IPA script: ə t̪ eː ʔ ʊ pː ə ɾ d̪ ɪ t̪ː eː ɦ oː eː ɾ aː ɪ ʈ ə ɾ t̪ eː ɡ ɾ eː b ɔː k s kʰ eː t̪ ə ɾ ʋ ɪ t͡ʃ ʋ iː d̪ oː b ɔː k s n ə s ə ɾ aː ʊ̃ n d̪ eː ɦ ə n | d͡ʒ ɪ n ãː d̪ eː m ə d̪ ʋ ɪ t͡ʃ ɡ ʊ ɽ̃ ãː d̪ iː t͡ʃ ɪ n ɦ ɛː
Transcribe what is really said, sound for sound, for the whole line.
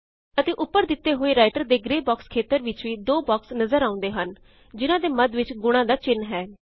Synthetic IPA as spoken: ə t̪ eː ʔ ʊ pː ə ɾ d̪ ɪ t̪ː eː ɦ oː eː ɾ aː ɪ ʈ ə ɾ d̪ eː ɡ ɾ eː b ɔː k s kʰ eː t̪ ə ɾ ʋ ɪ t͡ʃ ʋ iː d̪ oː b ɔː k s n ə z ə ɾ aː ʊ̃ n d̪ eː ɦ ə n | d͡ʒ ɪ n ãː d̪ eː m ə d̪ ʋ ɪ t͡ʃ ɡ ʊ ɽ̃ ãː d̪ aː t͡ʃ ɪ n ɦ ɛː

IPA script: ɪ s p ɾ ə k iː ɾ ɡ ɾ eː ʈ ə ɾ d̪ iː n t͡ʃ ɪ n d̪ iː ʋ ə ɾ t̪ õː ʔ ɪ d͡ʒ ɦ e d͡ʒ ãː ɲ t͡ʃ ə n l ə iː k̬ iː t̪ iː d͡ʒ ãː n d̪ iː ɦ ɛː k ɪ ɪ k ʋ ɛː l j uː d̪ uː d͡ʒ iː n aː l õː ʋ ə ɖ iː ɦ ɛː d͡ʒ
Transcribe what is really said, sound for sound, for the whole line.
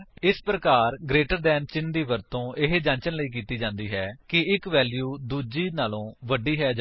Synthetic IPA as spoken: ɪ s p ɾ ə k aː ɾ ɡ ɾ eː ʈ ə ɾ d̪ ɛː n t͡ʃ ɪ n d̪ iː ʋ ə ɾ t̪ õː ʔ ɪ ɦ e d͡ʒ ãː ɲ t͡ʃ ə n l ə iː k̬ iː t̪ iː d͡ʒ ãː n d̪ iː ɦ ɛː k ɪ ɪ k ʋ ɛː l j uː d̪ uː d͡ʒ iː n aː l õː ʋ ə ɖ iː ɦ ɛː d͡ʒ

